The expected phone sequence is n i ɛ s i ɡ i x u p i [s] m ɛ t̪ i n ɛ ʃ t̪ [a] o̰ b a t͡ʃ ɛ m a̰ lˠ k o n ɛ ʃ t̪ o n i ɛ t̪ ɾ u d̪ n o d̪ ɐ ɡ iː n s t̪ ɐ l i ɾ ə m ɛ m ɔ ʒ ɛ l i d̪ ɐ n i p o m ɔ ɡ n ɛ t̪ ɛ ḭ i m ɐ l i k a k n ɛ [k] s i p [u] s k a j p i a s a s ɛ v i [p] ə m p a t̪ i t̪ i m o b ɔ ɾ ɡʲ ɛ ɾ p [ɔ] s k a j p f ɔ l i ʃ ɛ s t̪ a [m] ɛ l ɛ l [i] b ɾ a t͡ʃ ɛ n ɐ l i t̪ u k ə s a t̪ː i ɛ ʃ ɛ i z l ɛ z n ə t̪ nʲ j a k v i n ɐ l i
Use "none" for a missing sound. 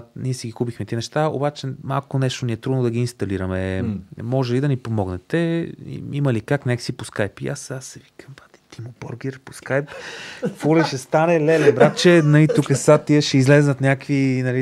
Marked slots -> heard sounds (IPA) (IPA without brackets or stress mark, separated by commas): x, a, k, o, k, o, n, ɛ